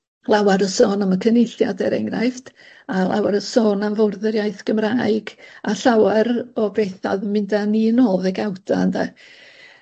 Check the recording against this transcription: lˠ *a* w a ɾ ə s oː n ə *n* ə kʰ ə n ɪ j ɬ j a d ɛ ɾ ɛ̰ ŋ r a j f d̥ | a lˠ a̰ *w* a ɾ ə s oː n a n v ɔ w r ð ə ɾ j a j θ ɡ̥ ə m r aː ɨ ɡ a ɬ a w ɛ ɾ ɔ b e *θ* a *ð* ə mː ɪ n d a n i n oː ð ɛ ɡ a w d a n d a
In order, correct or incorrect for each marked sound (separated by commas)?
correct, incorrect, correct, correct, correct